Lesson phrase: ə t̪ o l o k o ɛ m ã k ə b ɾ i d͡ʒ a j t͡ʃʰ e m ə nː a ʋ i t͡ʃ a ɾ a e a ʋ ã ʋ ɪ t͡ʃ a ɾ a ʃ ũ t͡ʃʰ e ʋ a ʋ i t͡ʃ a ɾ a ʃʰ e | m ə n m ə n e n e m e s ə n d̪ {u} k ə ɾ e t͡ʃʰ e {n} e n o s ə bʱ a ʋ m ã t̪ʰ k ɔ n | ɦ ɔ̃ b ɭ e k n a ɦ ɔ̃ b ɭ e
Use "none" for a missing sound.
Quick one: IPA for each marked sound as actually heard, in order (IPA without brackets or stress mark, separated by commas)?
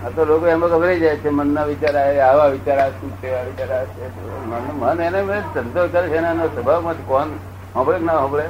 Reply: o, n